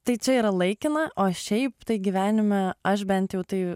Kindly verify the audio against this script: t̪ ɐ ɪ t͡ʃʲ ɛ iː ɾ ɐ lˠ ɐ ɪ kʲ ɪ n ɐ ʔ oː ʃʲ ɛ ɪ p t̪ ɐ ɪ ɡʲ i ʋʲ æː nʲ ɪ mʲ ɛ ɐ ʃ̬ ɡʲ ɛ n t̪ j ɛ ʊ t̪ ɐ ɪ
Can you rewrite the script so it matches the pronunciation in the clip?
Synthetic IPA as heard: t̪ ɐ ɪ t͡ʃʲ ɛ iː ɾ ɐ lˠ ɐ ɪ kʲ ɪ n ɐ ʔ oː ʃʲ ɛ ɪ p t̪ ɐ ɪ ɡʲ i ʋʲ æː nʲ ɪ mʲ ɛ ɐ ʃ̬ bʲ ɛ n t̪ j ɛ ʊ t̪ ɐ ɪ